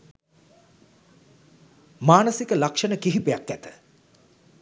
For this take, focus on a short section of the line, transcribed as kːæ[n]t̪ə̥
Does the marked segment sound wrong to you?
yes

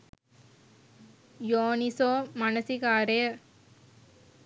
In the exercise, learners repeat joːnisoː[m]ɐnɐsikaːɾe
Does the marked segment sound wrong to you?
no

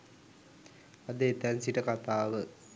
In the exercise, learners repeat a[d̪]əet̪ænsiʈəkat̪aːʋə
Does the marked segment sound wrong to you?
no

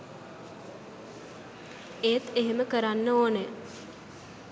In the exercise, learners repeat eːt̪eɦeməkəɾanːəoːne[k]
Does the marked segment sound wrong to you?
yes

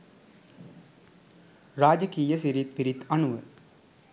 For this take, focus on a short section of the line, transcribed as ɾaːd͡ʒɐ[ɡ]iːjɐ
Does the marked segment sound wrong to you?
yes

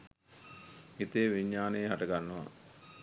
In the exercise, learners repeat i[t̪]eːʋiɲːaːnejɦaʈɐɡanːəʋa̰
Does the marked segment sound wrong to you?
no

